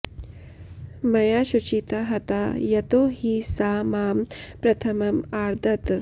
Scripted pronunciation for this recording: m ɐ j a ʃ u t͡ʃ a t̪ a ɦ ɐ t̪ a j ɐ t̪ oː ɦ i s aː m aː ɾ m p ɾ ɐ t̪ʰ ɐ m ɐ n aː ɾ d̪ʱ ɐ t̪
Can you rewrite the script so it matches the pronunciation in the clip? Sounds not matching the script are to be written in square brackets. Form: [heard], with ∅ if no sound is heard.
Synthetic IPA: m ɐ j a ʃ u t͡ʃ [i] t̪ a ɦ ɐ t̪ a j ɐ t̪ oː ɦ i s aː m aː [∅] m p ɾ ɐ t̪ʰ ɐ m ɐ [m] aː ɾ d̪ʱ ɐ t̪